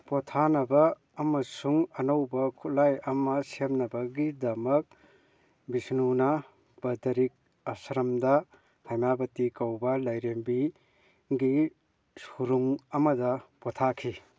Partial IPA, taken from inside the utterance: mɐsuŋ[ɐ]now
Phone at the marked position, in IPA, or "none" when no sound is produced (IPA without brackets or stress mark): ɐ